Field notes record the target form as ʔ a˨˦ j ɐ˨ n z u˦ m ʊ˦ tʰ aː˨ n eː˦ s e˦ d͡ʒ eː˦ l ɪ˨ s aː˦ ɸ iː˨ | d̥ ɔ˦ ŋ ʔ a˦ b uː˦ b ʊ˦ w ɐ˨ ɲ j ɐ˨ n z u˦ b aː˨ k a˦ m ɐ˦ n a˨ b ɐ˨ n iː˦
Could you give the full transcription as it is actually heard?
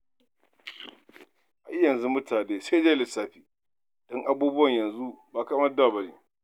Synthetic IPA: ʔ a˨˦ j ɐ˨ n z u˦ m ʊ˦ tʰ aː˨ n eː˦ s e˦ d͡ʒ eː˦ l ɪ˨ s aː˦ ɸ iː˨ | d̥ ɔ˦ ŋ ʔ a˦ b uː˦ b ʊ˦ w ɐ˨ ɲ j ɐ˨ n z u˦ b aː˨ k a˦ m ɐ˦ d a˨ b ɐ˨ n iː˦